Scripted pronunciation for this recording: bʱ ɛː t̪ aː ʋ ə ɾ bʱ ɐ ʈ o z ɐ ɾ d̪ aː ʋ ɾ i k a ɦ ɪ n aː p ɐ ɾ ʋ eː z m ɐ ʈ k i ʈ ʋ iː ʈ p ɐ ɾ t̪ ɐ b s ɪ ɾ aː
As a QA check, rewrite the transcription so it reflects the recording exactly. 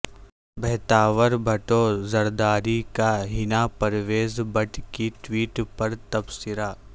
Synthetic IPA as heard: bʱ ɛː t̪ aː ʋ ə ɾ bʱ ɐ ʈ o z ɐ ɾ d̪ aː ɾ i k a ɦ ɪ n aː p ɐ ɾ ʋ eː z b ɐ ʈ k i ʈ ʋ iː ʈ p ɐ ɾ t̪ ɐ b s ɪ ɾ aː